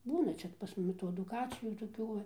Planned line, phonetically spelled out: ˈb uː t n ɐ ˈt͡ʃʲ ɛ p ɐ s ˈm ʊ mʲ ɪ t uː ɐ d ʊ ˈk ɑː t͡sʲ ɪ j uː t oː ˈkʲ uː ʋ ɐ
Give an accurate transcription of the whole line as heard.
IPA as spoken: ˈb uː n ɐ ˈt͡ʃʲ ɛ p ɐ s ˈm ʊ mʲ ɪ t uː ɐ d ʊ ˈk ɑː t͡sʲ ɪ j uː t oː ˈkʲ uː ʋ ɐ